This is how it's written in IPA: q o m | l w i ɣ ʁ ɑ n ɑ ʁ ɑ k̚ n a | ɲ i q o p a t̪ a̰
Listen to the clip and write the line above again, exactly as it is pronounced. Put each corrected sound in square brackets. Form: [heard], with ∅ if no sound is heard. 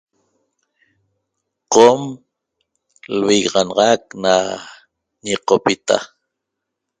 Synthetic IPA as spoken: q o m | l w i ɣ ʁ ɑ n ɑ ʁ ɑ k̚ n a | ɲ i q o p [i] t̪ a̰